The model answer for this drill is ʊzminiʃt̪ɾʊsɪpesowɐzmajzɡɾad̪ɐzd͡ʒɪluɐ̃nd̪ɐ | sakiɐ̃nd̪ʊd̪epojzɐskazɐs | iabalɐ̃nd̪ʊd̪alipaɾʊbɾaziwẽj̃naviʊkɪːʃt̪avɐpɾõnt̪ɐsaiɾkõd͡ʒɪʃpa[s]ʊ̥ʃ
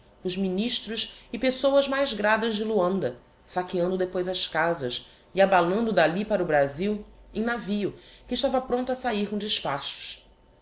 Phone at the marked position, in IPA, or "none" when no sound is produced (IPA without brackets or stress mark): ʃ